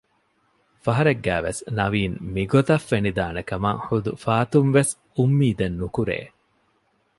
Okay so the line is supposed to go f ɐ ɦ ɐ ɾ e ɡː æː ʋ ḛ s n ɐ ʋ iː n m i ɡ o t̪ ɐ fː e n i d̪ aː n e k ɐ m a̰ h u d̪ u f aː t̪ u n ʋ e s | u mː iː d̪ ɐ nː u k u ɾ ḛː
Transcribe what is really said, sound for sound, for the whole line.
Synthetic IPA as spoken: f ɐ ɦ ɐ ɾ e ɡː æː ʋ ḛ s n ɐ ʋ iː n m i ɡ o t̪ ɐ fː e n i d̪ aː n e k ɐ m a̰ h u d̪ u f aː t̪ u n ʋ e s | u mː iː d̪ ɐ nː u k u ɾ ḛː